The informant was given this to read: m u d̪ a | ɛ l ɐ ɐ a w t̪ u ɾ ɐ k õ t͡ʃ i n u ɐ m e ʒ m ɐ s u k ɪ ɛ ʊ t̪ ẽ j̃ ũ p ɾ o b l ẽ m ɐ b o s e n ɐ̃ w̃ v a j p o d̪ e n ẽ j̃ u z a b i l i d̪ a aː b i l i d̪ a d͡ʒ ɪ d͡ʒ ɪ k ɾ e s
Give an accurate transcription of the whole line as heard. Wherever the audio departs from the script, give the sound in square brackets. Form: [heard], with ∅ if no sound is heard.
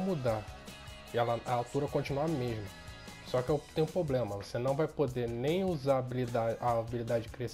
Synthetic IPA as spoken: m u d̪ a | ɛ l ɐ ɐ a w t̪ u ɾ ɐ k õ t͡ʃ i n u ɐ m e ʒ m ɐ s [ɔ] k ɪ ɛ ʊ t̪ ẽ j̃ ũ p ɾ o b l ẽ m ɐ [v] o s e n ɐ̃ w̃ v a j p o d̪ e n ẽ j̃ u z a b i l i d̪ a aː b i l i d̪ a d͡ʒ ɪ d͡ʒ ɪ k ɾ e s

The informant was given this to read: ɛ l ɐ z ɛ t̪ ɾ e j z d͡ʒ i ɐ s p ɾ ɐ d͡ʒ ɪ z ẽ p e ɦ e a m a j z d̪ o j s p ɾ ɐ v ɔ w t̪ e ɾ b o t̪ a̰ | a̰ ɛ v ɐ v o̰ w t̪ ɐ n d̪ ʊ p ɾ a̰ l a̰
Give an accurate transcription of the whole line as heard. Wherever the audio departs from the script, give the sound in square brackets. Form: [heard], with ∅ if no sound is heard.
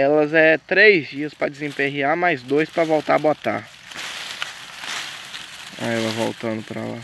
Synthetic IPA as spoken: ɛ l ɐ z ɛ t̪ ɾ e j z d͡ʒ i ɐ s p ɾ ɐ d͡ʒ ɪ z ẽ p e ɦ [i] a m a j z d̪ o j s p ɾ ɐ v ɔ w t̪ [a] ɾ b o t̪ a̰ | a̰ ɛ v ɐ v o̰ w t̪ [ɐ̃] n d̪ ʊ p ɾ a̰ l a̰

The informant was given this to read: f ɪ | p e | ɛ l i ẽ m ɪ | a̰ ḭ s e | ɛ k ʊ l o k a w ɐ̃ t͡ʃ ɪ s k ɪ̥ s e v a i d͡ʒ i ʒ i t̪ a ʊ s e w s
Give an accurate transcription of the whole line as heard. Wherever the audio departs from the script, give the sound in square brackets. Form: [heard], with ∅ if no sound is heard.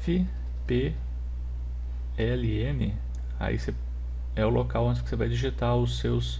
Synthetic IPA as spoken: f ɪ | p e | ɛ l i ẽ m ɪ | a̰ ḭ s e | ɛ [∅] ʊ l o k a w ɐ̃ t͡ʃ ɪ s k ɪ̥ s e v a [j] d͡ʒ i ʒ i t̪ a ʊ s e w s

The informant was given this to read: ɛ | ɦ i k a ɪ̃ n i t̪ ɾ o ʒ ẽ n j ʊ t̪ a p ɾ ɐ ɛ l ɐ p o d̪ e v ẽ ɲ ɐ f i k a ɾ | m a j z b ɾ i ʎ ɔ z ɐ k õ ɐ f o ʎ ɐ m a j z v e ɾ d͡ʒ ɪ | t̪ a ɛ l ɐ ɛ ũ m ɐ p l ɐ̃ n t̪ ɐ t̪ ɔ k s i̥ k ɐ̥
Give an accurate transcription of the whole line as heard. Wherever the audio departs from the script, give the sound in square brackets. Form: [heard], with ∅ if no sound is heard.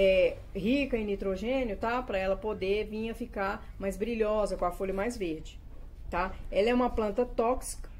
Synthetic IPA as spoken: ɛ | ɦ i k [ɐ] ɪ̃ n i t̪ ɾ o ʒ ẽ n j ʊ t̪ a p ɾ ɐ ɛ l ɐ p o d̪ e v [ĩ] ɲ ɐ f i k a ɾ | m a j z b ɾ i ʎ ɔ z ɐ k õ ɐ f o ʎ ɐ m a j z v e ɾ d͡ʒ ɪ | t̪ a ɛ l ɐ ɛ ũ m ɐ p l ɐ̃ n t̪ ɐ t̪ ɔ k s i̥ k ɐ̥

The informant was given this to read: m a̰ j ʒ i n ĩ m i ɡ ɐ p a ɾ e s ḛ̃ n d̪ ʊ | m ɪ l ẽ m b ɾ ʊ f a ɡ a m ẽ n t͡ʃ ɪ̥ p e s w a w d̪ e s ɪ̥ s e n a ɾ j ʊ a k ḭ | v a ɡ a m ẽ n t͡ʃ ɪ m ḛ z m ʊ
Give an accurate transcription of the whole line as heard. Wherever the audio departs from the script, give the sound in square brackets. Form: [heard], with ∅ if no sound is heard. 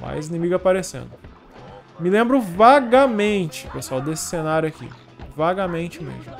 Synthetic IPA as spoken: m a̰ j [z] i n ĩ m i ɡ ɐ p a ɾ e s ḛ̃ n d̪ ʊ | m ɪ l ẽ m b ɾ ʊ [v] a ɡ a m ẽ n t͡ʃ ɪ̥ p e s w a w d̪ e s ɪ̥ s e n a ɾ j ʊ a k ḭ | v a ɡ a m ẽ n t͡ʃ ɪ m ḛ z m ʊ

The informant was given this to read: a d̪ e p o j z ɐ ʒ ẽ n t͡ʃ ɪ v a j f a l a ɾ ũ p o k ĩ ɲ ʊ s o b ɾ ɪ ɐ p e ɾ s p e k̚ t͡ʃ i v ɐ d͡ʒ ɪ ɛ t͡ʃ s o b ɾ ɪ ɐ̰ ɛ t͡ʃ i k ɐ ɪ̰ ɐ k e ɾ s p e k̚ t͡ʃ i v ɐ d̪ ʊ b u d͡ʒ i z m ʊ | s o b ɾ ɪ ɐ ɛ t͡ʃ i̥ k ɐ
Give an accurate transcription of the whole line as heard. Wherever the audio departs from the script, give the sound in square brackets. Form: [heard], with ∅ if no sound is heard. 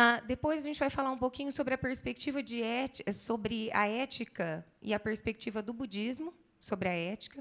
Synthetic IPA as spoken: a d̪ e p o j z ɐ ʒ ẽ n t͡ʃ ɪ v a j f a l a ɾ ũ p o k ĩ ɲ ʊ s o b ɾ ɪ ɐ p e ɾ s p e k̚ t͡ʃ i v ɐ d͡ʒ ɪ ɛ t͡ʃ s o b ɾ ɪ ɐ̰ ɛ t͡ʃ i k ɐ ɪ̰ ɐ [p] e ɾ s p e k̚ t͡ʃ i v ɐ d̪ ʊ b u d͡ʒ i z m ʊ | s o b ɾ ɪ ɐ ɛ t͡ʃ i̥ k ɐ

